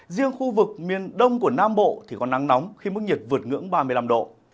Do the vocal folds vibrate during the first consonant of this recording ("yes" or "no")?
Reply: yes